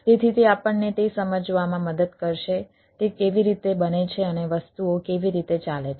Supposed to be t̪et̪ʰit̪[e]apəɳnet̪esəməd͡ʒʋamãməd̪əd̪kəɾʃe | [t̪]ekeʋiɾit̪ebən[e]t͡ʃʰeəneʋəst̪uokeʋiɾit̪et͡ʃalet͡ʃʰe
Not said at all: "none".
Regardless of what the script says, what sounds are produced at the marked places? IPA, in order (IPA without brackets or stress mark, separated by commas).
e, t̪, e